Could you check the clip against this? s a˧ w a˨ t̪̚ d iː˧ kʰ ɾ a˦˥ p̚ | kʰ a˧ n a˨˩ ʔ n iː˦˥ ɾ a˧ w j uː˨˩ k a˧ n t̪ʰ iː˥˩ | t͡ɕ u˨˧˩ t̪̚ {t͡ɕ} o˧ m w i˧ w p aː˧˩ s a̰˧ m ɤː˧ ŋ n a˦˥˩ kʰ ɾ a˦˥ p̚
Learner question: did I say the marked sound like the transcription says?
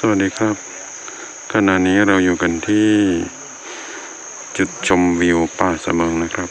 no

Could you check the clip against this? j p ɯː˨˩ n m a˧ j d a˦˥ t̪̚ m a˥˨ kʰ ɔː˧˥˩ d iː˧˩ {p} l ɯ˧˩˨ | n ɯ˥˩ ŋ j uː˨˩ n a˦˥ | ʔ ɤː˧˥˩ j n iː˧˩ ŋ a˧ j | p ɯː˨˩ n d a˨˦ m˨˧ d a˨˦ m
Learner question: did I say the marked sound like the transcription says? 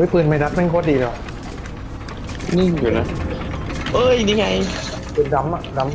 no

